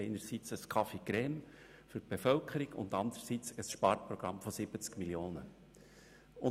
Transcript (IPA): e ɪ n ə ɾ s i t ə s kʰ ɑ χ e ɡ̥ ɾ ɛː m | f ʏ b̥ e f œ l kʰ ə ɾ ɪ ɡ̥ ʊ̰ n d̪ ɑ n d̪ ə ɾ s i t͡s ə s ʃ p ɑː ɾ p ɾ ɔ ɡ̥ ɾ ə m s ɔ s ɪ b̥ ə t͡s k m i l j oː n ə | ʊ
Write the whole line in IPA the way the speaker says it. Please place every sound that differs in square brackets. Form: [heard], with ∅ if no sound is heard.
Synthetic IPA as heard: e ɪ n ə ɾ s i [t͡s] ə s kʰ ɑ [f] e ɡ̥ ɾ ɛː m | f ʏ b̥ e f œ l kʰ ə ɾ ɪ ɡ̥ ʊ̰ n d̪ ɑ n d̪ ə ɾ s i t͡s ə s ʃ p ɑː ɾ p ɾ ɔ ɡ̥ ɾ [ɑ] m [f] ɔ s ɪ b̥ ə t͡s k m i l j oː n ə | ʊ